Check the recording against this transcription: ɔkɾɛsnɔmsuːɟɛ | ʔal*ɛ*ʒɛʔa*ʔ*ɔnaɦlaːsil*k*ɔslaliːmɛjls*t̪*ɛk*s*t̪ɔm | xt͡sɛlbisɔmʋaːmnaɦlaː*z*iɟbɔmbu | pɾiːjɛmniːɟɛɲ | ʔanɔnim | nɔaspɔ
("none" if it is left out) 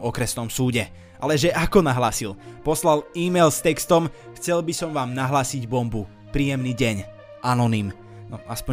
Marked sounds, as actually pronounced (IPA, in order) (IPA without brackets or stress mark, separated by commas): ɛ, k, p, t̪, s, s